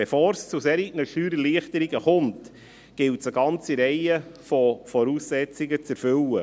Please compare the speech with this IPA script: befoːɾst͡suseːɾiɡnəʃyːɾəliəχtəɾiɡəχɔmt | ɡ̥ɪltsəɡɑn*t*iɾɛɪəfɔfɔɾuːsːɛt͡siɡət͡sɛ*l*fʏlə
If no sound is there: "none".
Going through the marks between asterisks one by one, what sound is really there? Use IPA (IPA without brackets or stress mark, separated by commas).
t͡s, ɾ